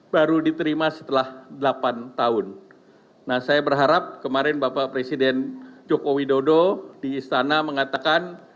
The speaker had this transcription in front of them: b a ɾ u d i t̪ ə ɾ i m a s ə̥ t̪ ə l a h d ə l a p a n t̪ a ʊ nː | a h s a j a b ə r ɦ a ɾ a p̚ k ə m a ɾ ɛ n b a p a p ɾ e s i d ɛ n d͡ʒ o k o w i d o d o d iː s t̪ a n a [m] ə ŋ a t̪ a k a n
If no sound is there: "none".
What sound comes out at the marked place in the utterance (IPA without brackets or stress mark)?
m